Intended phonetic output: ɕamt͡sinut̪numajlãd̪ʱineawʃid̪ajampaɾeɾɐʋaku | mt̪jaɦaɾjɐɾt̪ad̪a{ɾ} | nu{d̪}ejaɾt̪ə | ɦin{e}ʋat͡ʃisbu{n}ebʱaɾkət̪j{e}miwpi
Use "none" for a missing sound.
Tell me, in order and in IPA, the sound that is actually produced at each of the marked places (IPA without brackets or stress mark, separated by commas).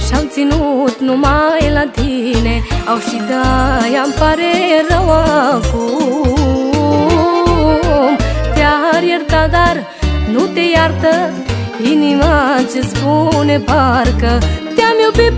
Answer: ɾ, t̪, i, n, a